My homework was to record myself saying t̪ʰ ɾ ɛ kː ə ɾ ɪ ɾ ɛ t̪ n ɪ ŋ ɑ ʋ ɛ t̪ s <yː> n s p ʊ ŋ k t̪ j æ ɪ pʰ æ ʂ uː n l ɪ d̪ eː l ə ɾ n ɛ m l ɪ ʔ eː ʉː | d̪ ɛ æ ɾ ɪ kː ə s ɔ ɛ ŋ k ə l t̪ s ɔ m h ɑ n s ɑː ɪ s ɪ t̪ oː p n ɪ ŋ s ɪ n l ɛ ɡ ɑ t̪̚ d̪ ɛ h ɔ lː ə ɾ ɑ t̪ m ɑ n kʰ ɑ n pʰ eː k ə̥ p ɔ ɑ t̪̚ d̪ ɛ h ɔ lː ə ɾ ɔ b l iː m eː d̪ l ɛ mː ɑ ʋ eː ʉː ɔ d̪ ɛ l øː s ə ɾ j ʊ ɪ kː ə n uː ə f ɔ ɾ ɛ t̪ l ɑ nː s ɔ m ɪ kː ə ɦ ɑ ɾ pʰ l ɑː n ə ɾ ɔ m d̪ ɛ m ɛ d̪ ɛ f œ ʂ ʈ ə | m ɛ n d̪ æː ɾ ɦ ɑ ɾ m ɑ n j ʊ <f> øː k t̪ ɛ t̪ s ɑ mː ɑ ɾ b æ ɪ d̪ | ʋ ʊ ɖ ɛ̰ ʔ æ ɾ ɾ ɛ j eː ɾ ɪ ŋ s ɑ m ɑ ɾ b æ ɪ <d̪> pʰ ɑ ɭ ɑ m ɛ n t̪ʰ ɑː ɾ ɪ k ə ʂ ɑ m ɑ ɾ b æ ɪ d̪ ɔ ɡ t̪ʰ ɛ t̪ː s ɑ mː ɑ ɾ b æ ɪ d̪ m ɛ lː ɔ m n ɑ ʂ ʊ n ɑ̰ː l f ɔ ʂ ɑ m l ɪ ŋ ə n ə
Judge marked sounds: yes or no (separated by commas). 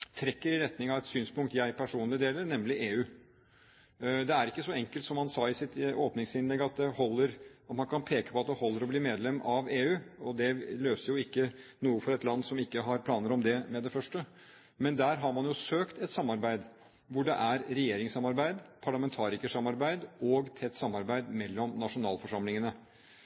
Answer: yes, no, yes